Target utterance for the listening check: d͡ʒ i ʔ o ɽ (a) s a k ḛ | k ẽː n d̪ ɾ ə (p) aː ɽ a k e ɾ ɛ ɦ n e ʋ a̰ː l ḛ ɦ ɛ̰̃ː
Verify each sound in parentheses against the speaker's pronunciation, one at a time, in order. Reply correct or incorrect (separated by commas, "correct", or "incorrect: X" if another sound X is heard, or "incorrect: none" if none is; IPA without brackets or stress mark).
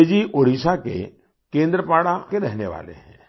incorrect: i, correct